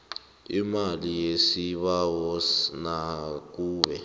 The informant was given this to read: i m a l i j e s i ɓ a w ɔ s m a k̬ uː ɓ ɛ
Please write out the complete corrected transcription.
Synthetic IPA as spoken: i m a l i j e s i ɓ a w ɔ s n a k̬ uː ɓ ɛ